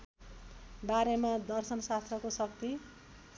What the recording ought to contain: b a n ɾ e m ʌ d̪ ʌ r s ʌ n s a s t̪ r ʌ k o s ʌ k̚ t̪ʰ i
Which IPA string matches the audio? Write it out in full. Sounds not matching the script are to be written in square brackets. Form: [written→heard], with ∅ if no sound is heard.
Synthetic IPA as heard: b a [n→∅] ɾ e m [ʌ→a] d̪ ʌ r s ʌ n s a s t̪ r ʌ k o s ʌ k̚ [t̪ʰ→t̪] i